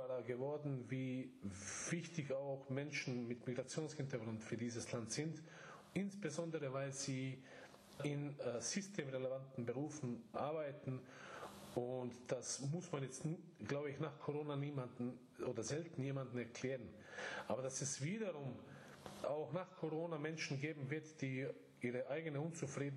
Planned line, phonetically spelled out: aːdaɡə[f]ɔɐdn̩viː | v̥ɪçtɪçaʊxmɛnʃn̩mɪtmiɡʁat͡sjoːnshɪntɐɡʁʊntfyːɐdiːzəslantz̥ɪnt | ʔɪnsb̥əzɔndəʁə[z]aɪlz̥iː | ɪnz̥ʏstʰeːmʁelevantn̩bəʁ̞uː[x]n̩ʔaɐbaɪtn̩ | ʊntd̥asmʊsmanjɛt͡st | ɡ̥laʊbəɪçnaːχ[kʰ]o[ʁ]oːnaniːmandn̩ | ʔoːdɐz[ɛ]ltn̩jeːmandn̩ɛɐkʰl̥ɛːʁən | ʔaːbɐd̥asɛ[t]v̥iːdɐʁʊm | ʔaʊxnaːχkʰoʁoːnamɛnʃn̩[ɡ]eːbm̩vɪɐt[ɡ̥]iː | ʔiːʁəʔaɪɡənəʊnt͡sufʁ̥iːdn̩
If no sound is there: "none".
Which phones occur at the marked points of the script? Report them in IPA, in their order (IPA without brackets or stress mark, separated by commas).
v, v, f, kʰ, ʁ, ɛ, s, ɡ, d̥